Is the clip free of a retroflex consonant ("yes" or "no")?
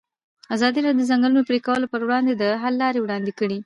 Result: no